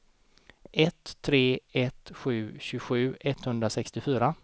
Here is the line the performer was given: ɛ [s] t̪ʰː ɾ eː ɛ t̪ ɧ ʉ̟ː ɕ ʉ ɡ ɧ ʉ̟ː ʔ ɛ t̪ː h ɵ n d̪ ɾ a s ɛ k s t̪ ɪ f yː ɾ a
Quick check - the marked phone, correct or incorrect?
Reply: incorrect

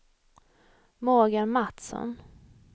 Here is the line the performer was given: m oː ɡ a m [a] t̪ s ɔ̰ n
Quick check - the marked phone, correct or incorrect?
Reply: correct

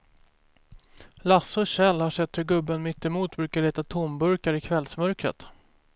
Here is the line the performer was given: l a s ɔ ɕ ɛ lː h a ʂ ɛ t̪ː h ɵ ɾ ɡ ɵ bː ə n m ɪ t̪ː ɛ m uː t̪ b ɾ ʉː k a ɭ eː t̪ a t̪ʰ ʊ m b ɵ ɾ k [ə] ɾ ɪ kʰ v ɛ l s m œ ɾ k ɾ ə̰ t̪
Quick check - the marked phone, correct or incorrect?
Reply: incorrect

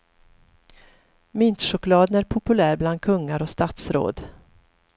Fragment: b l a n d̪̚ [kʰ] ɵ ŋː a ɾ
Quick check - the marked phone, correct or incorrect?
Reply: correct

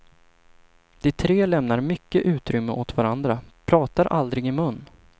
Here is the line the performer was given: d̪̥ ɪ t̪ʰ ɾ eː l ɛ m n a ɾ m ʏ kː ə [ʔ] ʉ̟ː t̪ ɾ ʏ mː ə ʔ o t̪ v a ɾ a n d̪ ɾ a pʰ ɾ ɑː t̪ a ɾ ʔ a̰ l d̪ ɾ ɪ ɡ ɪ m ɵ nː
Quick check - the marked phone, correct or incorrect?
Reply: correct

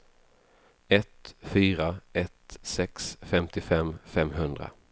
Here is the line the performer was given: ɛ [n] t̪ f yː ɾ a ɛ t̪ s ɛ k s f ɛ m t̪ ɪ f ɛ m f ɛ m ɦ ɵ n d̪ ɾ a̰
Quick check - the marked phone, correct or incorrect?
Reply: incorrect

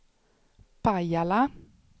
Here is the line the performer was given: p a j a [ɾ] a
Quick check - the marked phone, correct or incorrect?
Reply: incorrect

